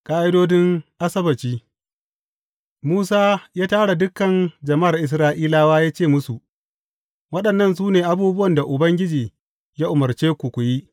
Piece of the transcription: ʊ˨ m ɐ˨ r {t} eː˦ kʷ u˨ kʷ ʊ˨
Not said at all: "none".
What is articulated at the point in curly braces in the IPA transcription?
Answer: t͡ʃ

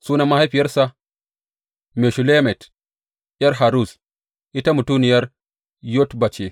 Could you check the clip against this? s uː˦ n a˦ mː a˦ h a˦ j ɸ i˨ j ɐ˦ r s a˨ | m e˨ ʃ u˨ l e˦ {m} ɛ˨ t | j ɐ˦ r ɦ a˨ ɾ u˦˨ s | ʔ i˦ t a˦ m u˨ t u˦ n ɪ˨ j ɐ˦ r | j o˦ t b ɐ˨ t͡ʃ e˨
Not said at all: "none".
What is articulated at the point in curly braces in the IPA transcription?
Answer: m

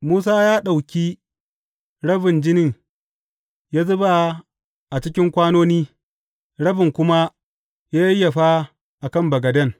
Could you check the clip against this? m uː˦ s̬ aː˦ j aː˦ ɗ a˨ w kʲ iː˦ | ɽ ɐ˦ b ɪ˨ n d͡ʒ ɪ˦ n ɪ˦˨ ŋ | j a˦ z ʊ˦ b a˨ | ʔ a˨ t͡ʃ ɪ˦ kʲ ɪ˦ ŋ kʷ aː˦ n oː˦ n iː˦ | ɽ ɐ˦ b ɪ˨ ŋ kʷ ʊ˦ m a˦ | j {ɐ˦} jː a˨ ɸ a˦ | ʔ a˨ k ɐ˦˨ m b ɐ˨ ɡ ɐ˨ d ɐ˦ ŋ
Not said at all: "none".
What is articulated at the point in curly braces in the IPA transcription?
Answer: a˦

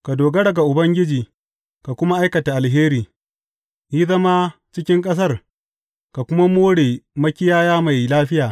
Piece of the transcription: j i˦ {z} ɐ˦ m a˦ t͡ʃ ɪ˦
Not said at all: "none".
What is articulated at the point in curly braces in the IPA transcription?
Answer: z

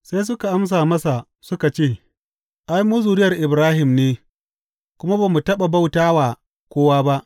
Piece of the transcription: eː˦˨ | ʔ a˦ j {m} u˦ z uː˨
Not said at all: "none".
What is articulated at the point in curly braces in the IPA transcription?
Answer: m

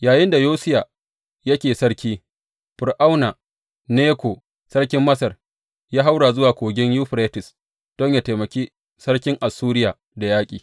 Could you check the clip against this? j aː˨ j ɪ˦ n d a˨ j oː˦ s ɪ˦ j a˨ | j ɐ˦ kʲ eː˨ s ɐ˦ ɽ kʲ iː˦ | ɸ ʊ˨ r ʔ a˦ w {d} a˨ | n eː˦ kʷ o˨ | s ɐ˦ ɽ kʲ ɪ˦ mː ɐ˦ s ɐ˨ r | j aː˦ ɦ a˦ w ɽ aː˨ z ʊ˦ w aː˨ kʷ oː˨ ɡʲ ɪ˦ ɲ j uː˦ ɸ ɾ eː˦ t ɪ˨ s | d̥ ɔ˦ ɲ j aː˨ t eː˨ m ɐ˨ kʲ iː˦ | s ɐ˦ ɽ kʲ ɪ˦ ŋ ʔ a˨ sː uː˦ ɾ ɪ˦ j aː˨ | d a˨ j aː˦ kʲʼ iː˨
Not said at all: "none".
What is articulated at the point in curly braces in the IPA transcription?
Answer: n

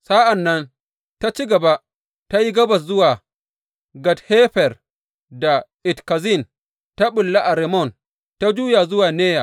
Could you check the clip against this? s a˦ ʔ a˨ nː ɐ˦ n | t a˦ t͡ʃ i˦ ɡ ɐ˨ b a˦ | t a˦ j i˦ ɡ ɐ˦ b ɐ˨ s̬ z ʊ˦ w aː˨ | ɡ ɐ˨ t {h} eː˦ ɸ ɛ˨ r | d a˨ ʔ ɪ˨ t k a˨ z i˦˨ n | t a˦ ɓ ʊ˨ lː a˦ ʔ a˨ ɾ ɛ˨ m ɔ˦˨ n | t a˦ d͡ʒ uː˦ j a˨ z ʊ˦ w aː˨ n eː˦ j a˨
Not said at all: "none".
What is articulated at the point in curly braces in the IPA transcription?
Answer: h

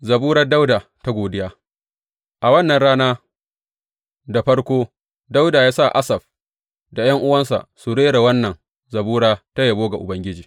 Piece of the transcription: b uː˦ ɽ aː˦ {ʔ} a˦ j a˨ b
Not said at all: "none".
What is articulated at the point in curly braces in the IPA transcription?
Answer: t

